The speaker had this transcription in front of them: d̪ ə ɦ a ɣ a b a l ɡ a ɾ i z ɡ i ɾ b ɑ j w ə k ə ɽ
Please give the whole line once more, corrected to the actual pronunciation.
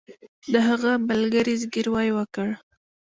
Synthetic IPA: d̪ ə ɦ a ɣ a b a l ɡ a ɾ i z ɡ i ɾ w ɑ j w ə k ə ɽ